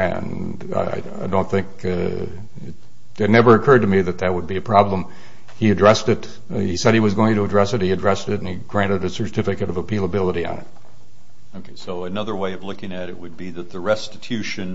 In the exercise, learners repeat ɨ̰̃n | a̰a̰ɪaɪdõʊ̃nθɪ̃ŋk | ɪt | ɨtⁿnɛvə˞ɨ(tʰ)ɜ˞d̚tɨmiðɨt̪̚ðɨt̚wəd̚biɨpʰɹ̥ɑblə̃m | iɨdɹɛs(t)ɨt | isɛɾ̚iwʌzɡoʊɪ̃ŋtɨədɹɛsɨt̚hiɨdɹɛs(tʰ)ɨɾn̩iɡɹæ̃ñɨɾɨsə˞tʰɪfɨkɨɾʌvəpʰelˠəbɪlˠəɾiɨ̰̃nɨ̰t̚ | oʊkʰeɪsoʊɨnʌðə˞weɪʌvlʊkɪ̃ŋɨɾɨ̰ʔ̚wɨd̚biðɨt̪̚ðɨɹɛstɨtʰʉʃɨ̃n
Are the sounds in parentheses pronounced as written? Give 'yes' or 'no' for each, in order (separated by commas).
no, yes, no